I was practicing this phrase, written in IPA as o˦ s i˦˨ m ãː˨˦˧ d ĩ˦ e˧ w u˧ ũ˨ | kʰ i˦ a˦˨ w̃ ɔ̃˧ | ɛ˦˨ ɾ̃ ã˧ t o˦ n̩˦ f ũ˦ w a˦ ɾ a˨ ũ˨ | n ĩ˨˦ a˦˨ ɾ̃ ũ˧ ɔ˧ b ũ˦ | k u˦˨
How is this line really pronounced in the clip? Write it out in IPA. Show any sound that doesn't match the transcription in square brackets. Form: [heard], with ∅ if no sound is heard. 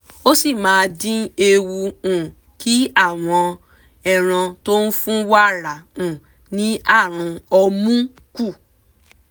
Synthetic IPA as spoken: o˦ s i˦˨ m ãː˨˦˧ d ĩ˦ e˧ w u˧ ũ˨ | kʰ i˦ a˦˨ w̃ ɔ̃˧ | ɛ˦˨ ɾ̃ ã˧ t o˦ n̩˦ f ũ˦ w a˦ ɾ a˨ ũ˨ | n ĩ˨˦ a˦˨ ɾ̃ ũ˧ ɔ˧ [m] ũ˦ | k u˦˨

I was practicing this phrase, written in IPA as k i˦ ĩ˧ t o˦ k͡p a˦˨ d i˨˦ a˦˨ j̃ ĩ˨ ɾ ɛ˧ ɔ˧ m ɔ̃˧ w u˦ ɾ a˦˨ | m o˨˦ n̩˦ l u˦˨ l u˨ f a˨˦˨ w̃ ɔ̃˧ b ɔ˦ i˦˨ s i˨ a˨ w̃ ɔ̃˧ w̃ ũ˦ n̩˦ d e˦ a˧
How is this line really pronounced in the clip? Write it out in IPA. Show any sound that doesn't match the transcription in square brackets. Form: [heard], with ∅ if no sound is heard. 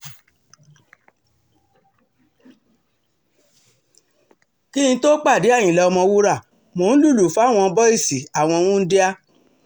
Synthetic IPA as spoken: k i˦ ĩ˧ t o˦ k͡p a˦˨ d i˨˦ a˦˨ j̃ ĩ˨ [l] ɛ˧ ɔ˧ m ɔ̃˧ w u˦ ɾ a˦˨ | m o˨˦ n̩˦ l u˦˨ l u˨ f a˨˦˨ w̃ ɔ̃˧ b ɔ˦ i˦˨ s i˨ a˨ w̃ ɔ̃˧ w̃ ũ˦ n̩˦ d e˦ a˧

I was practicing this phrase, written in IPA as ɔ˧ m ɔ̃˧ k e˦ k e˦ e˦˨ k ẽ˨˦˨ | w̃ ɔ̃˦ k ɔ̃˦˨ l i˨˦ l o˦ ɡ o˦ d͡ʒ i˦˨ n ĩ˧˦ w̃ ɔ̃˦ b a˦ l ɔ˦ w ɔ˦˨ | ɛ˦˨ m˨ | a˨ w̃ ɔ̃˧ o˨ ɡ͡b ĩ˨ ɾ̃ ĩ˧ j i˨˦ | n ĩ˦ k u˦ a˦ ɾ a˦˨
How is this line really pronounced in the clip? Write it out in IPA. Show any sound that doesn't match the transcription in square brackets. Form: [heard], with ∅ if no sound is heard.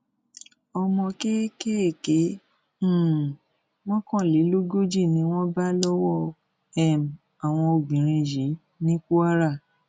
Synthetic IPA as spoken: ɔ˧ m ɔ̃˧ k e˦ k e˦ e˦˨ k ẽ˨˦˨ | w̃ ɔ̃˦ k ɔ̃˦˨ l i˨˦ l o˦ ɡ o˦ d͡ʒ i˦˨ n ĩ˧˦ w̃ ɔ̃˦ b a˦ l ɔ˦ w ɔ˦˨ | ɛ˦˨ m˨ | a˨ w̃ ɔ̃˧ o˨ ɡ͡b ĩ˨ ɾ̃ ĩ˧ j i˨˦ | n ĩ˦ k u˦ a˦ ɾ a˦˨

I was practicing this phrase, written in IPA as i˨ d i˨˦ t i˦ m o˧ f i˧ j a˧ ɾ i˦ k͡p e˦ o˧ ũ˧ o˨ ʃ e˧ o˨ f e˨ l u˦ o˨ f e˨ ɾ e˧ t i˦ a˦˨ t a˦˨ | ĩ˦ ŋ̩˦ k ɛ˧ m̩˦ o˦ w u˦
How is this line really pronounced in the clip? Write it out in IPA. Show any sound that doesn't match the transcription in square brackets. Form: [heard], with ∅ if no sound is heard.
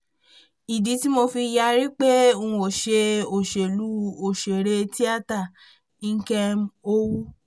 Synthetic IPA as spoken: i˨ d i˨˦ t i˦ m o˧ f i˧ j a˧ ɾ i˦ k͡p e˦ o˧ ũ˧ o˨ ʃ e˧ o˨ [ʃ] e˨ l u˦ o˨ [ʃ] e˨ ɾ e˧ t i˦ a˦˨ t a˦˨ | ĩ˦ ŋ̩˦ k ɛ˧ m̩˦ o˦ w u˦

